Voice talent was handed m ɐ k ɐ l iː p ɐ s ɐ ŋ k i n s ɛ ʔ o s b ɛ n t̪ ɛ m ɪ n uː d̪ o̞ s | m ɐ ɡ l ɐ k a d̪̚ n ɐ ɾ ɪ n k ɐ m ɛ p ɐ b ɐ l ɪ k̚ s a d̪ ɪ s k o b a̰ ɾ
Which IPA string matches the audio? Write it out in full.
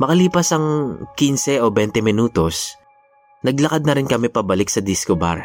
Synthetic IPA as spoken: m ɐ k ɐ l iː p ɐ s ɐ ŋ k i n s ɛ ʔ o b ɛ n t̪ ɛ m ɪ n uː t̪ o̞ s | n ɐ ɡ l ɐ k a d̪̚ n ɐ ɾ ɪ n k ɐ m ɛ p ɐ b ɐ l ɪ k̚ s ɐ d̪ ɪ s k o b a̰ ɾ